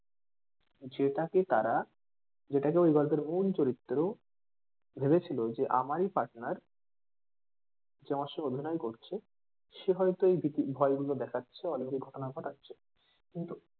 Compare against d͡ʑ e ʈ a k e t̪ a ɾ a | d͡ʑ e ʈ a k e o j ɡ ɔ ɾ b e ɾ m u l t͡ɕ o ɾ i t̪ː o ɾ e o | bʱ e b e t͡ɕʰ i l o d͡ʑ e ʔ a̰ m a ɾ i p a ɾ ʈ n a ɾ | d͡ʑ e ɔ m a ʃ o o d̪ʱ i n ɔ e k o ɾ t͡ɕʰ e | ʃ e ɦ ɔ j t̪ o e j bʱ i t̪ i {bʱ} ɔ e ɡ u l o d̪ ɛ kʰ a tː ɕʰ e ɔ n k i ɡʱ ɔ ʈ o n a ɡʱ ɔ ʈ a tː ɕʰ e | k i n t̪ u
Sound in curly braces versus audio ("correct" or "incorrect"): correct